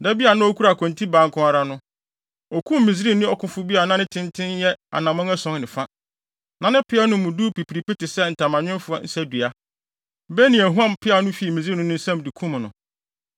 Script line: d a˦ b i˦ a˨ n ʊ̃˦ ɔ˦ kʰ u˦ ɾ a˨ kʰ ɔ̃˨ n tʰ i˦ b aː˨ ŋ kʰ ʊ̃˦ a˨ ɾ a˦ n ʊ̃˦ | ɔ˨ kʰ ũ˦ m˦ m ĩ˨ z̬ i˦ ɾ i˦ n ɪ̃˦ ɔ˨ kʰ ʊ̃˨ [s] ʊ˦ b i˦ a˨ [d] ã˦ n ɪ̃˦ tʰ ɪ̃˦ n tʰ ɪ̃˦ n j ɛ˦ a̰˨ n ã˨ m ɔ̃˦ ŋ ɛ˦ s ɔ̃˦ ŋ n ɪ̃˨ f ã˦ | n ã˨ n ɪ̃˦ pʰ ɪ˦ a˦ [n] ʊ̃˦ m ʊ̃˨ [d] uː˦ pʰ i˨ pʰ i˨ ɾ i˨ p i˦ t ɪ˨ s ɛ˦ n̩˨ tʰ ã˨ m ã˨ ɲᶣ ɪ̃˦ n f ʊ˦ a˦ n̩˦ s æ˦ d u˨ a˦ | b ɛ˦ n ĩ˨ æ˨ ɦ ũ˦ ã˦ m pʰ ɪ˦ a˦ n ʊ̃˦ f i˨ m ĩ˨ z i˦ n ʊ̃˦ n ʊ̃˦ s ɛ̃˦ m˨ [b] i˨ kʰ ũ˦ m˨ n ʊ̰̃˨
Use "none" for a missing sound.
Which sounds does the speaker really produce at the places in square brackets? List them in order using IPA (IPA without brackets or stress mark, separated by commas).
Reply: f, n, n, d, d